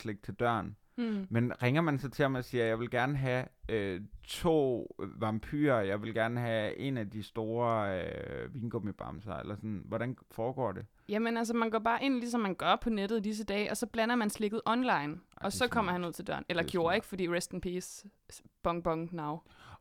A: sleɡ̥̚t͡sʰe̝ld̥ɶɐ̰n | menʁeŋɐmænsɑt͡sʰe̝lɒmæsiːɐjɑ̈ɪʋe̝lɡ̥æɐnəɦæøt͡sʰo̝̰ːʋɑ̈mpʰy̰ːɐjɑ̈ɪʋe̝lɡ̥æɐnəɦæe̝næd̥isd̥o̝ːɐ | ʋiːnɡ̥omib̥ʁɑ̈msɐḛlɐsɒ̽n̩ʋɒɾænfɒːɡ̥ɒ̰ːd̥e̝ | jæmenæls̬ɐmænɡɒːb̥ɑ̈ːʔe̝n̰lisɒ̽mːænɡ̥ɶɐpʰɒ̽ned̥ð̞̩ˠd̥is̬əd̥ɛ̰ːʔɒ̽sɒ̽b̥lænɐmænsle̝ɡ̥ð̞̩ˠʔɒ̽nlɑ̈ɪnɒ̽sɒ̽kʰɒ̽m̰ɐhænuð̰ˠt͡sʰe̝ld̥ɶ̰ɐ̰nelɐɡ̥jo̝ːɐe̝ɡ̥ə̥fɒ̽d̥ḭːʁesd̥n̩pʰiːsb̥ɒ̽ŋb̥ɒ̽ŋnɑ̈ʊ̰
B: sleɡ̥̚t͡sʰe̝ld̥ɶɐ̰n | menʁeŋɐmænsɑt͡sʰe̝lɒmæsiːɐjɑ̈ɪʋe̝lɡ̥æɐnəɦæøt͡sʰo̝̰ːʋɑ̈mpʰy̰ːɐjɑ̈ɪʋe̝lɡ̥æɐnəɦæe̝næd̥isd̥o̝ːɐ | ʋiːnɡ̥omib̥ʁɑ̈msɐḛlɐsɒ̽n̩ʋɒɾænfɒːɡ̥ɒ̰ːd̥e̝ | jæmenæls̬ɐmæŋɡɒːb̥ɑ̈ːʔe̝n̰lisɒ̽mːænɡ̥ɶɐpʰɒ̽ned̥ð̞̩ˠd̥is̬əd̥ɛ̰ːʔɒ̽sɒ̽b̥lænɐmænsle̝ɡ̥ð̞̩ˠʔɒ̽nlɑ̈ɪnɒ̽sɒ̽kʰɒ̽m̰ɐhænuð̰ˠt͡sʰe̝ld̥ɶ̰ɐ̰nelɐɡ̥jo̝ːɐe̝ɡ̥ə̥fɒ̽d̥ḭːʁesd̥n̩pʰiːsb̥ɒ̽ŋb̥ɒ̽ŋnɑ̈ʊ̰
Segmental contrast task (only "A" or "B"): A